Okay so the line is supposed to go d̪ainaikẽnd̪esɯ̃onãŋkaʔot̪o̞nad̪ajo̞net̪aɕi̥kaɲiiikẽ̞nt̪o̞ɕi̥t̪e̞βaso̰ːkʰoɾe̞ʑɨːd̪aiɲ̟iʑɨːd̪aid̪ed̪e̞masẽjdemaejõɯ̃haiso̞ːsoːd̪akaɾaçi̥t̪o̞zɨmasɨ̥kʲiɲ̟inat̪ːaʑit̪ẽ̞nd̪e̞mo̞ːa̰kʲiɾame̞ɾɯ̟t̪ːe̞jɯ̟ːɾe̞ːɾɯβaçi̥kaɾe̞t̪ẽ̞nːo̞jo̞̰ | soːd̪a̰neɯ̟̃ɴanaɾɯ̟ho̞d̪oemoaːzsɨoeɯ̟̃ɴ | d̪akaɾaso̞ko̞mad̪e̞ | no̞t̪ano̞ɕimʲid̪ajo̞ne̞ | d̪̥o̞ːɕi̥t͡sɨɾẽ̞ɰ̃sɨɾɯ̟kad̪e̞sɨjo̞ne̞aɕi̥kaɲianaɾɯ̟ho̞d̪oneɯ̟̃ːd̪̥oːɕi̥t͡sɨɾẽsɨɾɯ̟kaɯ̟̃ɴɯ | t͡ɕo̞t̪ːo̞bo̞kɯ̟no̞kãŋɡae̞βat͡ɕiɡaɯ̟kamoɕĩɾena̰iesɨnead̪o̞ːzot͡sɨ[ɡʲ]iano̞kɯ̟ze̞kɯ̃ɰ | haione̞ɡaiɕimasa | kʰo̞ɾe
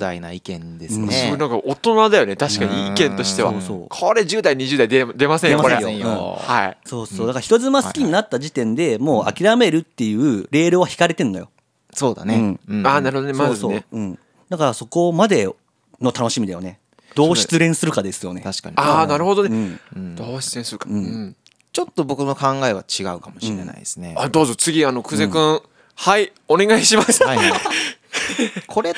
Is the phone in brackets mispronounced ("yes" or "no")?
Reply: no